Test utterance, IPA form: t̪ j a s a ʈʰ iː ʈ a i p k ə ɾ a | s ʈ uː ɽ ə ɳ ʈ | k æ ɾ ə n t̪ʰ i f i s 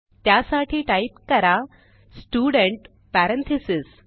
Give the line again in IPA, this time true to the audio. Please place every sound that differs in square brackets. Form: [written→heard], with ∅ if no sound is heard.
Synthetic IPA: t̪ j a s a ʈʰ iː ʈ a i p k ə ɾ a | s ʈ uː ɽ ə ɳ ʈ | [k→p] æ ɾ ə n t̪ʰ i [f→s] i s